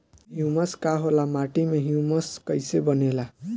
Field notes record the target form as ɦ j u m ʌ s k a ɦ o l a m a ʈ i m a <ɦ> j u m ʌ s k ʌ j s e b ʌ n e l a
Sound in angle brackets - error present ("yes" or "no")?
no